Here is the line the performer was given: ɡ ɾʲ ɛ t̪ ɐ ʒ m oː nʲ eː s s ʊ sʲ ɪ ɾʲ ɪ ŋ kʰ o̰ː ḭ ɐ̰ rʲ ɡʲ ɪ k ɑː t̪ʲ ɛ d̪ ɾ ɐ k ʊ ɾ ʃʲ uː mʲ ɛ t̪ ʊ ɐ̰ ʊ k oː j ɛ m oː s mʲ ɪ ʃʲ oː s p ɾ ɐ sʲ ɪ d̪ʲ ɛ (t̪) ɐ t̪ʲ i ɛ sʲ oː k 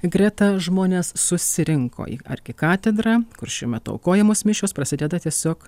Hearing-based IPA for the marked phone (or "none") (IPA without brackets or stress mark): d̪